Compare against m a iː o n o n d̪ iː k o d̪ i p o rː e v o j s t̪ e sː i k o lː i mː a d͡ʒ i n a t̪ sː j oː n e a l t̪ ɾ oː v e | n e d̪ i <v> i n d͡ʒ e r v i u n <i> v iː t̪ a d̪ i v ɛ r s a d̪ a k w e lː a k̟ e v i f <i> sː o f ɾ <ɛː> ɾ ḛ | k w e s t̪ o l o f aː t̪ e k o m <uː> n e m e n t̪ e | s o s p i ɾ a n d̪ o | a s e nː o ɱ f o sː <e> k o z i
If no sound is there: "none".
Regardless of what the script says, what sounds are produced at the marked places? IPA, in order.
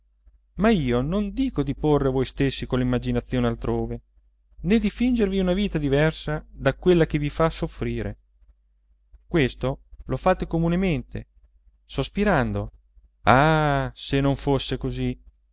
f, a, a, iː, u, e

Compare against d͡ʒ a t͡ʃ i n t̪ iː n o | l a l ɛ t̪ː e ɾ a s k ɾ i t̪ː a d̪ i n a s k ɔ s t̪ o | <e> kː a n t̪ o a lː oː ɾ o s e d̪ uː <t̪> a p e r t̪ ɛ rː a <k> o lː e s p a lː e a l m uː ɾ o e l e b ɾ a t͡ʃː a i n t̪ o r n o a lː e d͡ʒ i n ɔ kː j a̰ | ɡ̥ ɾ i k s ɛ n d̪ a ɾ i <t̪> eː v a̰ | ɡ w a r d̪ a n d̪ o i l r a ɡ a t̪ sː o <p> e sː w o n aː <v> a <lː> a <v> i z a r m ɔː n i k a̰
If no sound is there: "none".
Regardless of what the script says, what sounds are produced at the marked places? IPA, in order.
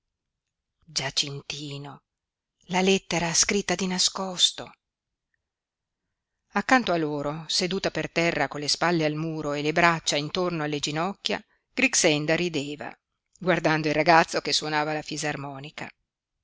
a, t̪, k, d̪, k, v, l, f

